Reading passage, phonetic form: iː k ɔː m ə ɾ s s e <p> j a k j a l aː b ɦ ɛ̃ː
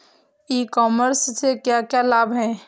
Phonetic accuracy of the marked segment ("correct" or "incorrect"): incorrect